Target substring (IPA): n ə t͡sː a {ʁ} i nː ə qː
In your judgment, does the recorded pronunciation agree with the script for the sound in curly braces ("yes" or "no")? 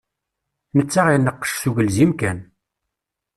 yes